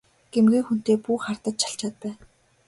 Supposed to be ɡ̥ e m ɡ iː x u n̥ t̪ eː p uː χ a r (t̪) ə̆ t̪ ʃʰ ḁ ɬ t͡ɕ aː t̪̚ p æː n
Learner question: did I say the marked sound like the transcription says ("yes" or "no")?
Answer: yes